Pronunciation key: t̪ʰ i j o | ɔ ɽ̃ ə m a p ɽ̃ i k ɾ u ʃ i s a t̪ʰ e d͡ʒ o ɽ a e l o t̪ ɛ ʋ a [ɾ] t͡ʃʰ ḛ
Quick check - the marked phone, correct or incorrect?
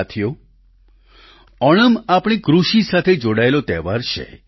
correct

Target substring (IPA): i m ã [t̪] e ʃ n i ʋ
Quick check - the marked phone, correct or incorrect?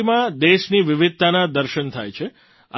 incorrect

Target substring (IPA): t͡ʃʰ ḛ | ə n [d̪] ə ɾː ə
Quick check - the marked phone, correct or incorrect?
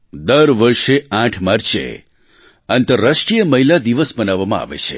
incorrect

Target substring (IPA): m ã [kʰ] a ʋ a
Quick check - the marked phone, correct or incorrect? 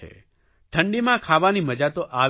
correct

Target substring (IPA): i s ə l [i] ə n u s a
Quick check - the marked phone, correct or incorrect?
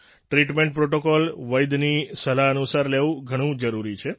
incorrect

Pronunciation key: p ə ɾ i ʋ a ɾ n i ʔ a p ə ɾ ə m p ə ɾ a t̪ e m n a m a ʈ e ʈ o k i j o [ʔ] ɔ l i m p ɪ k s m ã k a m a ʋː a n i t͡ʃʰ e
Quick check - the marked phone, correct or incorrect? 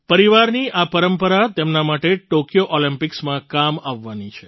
correct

